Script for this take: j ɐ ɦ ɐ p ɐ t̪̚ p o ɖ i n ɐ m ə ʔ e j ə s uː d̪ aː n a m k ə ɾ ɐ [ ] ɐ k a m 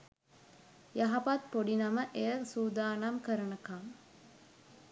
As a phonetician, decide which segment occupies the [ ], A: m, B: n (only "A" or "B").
B